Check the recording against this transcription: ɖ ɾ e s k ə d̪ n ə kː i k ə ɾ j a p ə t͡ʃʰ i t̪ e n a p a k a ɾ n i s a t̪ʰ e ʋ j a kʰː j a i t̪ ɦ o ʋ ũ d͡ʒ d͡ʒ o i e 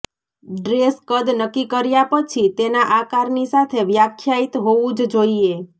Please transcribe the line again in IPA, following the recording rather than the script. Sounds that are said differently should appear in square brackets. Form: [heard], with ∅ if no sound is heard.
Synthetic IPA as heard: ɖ ɾ e s k ə d̪ n ə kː i k ə ɾ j a p ə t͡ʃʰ i t̪ e n a [ʔ] a k a ɾ n i s a t̪ʰ e ʋ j a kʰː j a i t̪ ɦ o ʋ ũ d͡ʒ d͡ʒ o i e